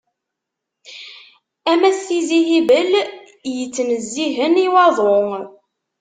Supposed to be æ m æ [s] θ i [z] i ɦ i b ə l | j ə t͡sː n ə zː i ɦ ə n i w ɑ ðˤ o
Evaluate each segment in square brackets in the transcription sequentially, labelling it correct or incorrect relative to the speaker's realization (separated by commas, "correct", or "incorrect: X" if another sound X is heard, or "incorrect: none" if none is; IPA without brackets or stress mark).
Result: correct, correct